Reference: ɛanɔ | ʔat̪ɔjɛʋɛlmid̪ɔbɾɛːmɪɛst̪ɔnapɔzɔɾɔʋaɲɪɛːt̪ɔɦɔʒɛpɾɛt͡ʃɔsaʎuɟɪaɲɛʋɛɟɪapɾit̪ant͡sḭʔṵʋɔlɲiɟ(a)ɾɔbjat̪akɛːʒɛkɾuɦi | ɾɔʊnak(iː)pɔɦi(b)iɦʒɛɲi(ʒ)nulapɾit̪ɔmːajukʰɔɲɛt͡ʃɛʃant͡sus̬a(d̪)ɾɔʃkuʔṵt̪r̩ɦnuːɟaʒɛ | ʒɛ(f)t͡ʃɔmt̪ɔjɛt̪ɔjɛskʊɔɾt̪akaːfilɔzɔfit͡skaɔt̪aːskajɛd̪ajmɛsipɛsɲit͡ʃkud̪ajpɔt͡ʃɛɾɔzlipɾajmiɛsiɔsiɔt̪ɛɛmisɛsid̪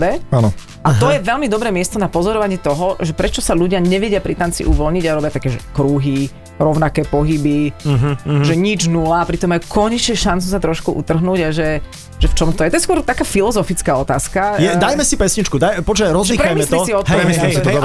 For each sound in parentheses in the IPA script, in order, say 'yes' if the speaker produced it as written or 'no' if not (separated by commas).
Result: yes, no, yes, no, no, yes